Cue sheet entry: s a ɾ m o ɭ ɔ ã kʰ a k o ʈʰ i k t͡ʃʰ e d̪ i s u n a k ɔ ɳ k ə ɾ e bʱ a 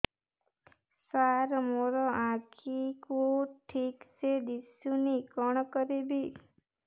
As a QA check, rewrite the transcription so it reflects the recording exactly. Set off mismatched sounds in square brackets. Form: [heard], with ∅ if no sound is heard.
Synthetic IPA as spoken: s a ɾ m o [ɾ] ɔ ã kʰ [i] k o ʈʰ i k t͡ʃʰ e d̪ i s u n [i] k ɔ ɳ k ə ɾ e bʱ [i]